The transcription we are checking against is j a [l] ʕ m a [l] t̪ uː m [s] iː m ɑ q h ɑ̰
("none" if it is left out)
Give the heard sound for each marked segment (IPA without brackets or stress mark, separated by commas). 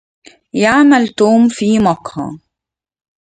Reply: none, l, f